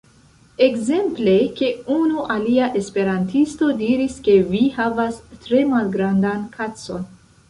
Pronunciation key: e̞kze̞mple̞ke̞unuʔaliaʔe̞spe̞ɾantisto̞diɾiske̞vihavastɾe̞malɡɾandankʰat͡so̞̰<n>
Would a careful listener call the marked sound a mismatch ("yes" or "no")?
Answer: no